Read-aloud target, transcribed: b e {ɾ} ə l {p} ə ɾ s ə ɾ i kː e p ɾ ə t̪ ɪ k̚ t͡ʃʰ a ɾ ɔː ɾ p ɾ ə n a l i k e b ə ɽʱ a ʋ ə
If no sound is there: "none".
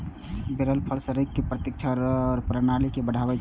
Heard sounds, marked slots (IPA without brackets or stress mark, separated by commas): ɾ, pʰ